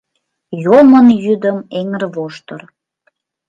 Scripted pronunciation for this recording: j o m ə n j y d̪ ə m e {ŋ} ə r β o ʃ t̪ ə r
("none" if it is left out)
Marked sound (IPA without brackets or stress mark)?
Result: ŋ